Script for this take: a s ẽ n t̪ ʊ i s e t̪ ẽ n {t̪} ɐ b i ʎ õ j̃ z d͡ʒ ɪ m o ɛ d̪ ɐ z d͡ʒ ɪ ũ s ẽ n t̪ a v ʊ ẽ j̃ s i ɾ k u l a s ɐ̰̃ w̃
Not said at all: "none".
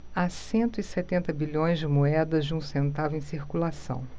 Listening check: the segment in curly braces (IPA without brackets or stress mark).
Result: t̪